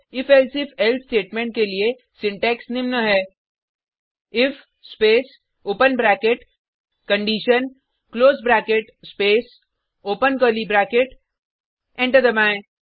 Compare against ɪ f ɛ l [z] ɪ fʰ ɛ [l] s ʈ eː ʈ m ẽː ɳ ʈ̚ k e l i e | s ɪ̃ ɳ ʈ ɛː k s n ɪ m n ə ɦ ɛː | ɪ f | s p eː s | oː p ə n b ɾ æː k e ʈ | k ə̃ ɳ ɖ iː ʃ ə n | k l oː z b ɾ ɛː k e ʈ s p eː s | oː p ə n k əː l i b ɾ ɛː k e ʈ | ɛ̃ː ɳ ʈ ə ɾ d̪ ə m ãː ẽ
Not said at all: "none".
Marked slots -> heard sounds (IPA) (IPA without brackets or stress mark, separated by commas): s, l